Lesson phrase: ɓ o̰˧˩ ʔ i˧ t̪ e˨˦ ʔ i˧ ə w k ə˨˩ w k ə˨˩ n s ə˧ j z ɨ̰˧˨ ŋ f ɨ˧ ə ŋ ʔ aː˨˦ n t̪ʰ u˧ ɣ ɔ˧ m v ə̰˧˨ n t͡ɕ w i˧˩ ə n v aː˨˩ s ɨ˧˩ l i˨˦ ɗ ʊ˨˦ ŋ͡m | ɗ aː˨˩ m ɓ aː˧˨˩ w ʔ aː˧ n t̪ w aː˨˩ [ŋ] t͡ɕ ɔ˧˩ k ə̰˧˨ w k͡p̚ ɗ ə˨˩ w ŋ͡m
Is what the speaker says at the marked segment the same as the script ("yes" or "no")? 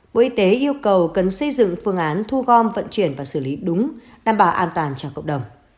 no